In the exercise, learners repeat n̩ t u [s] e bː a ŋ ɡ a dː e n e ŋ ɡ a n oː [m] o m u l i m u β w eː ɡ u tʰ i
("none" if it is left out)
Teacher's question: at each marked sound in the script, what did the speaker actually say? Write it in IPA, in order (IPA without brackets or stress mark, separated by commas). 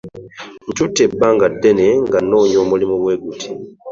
t, ɲ